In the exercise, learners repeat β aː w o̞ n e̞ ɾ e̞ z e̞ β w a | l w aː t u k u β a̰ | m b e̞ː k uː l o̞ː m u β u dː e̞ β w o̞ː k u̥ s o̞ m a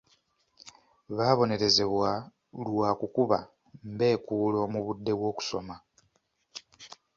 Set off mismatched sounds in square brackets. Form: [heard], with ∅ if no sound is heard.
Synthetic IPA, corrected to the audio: β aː [β] o̞ n e̞ ɾ e̞ z e̞ β w a | l w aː [k] u k u β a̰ | m b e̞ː k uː l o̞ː m u β u dː e̞ β w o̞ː k u̥ s o̞ m a